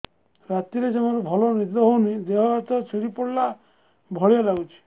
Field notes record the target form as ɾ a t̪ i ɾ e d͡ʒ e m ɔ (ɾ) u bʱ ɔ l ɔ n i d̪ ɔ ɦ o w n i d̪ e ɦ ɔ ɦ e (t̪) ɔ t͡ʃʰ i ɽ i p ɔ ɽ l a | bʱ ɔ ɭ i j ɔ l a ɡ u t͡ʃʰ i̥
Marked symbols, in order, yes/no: yes, yes

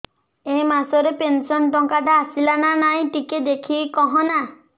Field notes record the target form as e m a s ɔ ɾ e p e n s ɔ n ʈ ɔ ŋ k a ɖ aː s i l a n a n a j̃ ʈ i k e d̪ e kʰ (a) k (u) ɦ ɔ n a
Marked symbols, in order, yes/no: no, no

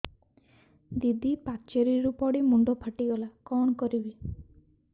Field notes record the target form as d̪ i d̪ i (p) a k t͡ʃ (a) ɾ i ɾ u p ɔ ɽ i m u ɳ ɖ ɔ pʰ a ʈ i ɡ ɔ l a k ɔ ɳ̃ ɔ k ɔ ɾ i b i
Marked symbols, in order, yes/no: yes, no

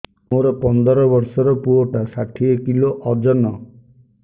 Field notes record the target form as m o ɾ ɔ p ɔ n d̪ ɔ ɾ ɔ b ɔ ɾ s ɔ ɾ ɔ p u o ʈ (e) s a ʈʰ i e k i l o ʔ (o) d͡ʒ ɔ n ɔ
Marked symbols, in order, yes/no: no, no

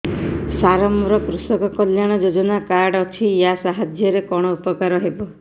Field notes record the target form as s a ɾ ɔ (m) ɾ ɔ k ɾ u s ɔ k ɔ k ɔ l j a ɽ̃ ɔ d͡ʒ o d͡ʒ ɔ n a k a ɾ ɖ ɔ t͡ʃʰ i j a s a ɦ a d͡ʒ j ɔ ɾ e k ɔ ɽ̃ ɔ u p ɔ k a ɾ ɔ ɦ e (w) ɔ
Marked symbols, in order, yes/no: yes, no

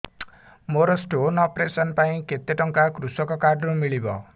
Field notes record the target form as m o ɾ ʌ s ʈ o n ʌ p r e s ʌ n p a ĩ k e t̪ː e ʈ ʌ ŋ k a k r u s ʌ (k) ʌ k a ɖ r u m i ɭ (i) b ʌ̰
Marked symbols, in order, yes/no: yes, yes

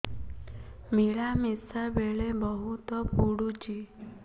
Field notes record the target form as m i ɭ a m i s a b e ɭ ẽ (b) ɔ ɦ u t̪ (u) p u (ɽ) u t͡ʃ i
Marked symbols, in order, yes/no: yes, no, yes

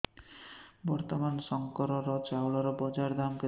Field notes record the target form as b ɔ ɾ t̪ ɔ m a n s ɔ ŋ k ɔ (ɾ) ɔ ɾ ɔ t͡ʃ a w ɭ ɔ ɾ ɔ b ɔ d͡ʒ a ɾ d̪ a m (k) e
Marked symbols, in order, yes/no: yes, yes

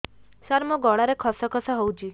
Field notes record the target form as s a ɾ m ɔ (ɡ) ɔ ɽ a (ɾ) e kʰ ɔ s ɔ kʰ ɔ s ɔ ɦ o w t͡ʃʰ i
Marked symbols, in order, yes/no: yes, yes

